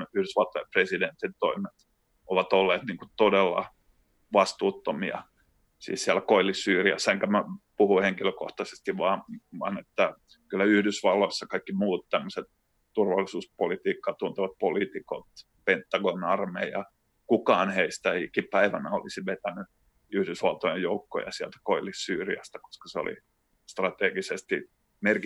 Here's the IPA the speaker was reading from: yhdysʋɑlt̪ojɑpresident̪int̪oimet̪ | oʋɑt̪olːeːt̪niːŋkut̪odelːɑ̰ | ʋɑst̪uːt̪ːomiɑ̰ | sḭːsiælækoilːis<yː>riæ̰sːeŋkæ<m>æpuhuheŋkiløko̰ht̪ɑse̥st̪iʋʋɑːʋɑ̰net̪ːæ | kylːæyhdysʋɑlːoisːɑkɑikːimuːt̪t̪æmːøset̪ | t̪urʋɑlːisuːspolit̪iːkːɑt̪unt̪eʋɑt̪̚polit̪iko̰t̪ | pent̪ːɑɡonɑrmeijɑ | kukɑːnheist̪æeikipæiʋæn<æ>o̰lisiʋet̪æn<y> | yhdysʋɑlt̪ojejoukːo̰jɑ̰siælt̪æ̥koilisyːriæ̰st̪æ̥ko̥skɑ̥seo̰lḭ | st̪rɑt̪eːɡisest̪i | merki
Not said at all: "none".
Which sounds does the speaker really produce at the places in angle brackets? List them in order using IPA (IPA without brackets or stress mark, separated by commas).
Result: yː, m, æ, y